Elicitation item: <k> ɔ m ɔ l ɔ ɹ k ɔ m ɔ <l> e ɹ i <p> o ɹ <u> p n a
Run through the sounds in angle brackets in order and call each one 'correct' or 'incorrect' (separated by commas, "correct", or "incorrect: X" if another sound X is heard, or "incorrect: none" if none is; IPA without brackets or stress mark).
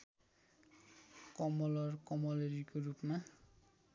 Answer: correct, correct, incorrect: k, correct